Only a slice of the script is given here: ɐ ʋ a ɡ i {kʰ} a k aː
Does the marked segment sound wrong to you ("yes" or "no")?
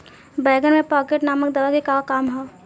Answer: yes